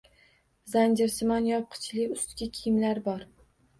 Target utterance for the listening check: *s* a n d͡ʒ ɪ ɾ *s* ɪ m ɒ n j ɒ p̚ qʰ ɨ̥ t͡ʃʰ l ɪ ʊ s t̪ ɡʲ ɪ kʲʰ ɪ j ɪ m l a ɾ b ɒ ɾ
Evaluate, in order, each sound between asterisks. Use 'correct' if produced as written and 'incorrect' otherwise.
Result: incorrect: z, correct

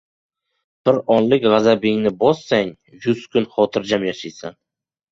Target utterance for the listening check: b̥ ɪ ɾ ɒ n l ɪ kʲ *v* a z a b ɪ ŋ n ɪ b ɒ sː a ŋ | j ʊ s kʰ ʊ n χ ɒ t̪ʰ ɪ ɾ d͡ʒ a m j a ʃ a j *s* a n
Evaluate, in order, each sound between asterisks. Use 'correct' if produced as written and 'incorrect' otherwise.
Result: incorrect: ʁ, correct

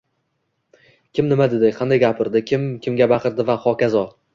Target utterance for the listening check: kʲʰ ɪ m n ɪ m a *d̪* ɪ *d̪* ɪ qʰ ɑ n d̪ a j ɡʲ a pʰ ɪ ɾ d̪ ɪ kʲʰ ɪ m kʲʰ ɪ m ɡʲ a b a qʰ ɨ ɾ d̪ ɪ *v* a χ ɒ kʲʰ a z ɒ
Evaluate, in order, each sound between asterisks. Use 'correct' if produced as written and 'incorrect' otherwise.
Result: correct, correct, correct

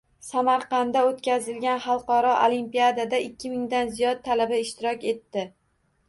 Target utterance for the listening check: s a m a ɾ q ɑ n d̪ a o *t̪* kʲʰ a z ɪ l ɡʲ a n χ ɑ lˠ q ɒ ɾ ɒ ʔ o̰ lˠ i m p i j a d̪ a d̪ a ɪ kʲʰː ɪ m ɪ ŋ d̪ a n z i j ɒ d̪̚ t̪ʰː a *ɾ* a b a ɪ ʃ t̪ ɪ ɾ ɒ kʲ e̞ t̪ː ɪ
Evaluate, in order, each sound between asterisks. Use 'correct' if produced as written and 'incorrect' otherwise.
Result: correct, incorrect: l

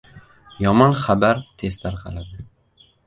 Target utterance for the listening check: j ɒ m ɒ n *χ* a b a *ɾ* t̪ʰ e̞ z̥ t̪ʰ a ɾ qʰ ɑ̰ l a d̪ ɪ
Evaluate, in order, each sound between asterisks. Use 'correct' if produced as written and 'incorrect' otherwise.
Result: correct, correct

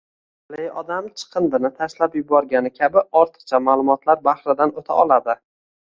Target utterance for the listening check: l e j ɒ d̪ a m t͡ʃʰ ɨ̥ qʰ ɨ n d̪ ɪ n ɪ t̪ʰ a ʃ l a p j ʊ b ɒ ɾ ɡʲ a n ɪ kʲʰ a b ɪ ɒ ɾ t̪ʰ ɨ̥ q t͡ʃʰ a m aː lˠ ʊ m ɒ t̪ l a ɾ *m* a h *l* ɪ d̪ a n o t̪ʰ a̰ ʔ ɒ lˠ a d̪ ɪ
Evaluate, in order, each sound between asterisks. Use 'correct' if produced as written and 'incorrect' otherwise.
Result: incorrect: b, incorrect: ɾ

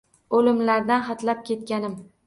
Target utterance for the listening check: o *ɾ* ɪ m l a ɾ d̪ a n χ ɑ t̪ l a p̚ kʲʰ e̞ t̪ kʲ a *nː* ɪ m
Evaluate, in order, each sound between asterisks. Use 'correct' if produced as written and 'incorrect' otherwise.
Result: incorrect: l, incorrect: n

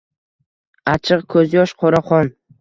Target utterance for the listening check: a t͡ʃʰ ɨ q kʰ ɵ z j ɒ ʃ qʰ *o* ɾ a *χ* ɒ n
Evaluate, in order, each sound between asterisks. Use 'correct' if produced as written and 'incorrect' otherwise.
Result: correct, correct

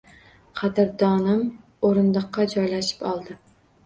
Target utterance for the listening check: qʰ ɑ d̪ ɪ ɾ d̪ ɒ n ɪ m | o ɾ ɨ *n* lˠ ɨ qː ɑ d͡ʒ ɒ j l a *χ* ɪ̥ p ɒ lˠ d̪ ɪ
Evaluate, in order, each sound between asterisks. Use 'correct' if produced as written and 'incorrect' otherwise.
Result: correct, incorrect: ʃ

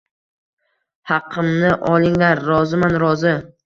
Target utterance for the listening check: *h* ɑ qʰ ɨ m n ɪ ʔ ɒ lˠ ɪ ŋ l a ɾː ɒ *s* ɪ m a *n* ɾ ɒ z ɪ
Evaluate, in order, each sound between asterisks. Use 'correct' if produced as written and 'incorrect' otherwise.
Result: correct, incorrect: z, correct

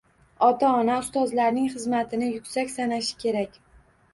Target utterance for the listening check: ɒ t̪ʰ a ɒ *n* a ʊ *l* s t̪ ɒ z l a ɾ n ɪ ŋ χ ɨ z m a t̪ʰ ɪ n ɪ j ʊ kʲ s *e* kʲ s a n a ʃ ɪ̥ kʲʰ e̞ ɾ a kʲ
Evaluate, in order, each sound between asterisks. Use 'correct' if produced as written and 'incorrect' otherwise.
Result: correct, incorrect: none, incorrect: a

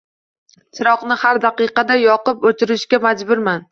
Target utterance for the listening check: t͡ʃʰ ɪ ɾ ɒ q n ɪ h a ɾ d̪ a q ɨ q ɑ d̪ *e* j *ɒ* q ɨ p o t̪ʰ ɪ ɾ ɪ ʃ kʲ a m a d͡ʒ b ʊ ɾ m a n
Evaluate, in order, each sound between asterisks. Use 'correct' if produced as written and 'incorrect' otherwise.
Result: incorrect: a, correct

